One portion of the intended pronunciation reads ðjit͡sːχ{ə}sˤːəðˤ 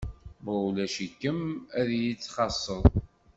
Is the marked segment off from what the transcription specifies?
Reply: yes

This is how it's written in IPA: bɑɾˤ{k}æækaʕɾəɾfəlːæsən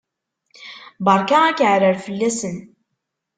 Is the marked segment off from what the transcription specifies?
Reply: no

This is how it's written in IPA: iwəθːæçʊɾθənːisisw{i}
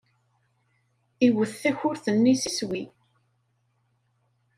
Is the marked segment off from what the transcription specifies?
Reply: no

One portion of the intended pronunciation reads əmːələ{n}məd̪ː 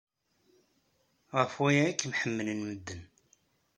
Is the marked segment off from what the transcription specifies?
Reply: no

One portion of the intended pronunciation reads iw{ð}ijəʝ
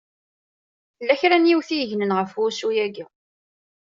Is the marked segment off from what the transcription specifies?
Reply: yes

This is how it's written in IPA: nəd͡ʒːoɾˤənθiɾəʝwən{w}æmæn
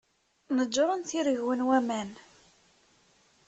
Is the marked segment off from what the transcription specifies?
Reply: no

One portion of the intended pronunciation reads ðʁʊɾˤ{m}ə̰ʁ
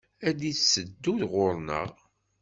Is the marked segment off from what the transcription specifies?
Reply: yes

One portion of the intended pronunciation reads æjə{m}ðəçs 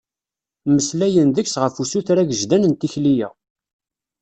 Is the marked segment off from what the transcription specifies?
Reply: yes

